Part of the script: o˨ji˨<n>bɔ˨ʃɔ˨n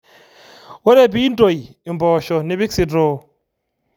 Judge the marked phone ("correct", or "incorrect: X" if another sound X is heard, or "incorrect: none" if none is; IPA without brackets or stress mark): incorrect: m